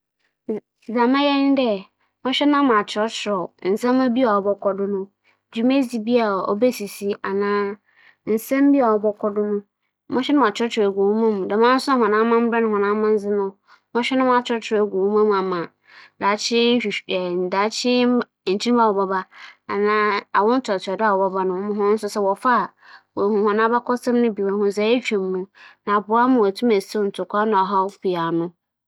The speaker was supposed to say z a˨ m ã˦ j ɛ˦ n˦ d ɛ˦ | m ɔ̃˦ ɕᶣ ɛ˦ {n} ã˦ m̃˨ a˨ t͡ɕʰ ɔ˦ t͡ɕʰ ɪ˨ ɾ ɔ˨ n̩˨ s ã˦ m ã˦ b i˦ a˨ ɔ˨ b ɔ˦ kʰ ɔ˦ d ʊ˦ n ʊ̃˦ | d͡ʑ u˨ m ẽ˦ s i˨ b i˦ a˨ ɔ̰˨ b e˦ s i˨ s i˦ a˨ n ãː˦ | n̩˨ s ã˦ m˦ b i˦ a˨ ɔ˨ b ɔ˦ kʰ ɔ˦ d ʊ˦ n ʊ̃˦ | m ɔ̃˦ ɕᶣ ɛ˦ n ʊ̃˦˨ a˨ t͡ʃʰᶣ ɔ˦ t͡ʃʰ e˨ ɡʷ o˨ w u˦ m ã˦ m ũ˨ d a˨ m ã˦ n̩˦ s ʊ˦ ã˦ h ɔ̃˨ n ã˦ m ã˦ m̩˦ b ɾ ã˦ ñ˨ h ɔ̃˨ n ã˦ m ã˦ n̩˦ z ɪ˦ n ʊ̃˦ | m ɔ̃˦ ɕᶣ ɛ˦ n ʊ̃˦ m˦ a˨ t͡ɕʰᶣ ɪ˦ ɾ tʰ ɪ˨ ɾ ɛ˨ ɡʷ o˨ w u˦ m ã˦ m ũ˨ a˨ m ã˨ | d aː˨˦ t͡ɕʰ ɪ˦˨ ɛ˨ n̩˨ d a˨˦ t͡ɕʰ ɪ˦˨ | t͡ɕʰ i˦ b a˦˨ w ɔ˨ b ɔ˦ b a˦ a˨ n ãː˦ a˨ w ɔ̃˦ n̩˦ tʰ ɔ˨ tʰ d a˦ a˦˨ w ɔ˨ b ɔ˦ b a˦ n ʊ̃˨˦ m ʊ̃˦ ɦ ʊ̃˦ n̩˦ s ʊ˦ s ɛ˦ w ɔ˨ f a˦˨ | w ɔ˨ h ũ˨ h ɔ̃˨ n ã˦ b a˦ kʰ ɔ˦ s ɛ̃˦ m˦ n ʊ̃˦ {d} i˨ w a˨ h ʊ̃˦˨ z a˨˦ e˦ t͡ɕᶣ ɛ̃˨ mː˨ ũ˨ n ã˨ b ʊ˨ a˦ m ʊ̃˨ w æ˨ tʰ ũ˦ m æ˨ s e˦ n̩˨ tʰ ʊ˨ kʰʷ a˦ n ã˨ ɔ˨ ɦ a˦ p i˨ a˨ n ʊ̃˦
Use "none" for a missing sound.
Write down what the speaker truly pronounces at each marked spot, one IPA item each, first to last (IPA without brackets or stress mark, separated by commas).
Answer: n, b